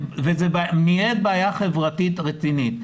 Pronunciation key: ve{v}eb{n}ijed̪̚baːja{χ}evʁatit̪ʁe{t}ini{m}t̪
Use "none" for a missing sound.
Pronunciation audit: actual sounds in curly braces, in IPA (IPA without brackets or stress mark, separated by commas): z, m, χ, t͡s, none